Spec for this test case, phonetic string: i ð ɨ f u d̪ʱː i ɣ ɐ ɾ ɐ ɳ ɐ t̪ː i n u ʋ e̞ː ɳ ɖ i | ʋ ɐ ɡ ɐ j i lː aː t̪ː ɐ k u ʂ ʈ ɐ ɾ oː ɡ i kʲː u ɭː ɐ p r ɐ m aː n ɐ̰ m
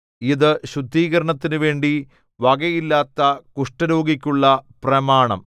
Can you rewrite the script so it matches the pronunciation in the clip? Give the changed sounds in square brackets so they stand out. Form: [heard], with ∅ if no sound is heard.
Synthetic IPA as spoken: i ð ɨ [ɕ] u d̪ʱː [iː] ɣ ɐ ɾ ɐ ɳ ɐ t̪ː i n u ʋ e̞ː ɳ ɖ i | ʋ ɐ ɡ ɐ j i lː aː t̪ː ɐ k u ʂ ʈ ɐ ɾ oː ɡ i kʲː u ɭː ɐ p r ɐ m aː [ɳ] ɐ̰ m